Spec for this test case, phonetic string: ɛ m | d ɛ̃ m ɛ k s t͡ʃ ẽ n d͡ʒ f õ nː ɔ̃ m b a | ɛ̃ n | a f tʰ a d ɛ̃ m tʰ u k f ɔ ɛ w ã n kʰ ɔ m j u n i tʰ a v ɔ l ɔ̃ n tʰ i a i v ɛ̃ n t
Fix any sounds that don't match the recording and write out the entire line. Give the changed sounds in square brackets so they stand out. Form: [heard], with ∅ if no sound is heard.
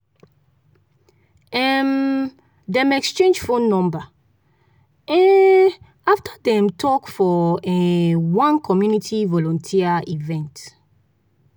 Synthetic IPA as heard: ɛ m | d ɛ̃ m ɛ k s t͡ʃ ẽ n d͡ʒ f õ nː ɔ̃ m b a | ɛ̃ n | a f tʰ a d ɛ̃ m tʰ [ɔ] k f ɔ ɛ w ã n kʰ ɔ m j u n i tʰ [i] v ɔ l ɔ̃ n tʰ i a i v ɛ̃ n t